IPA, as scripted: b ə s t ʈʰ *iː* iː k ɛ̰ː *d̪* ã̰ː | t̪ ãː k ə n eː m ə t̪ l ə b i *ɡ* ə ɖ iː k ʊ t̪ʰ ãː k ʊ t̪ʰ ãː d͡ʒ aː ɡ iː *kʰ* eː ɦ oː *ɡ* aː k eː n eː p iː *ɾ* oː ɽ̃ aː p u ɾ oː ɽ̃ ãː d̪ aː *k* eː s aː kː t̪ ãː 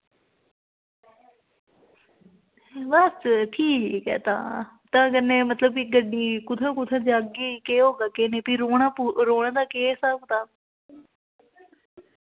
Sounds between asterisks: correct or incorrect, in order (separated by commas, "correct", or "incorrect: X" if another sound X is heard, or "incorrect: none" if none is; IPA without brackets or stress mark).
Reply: correct, incorrect: t̪, correct, incorrect: k, correct, correct, correct